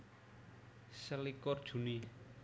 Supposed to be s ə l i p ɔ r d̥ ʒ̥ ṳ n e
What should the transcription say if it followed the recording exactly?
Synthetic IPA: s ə l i k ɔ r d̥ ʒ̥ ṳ n i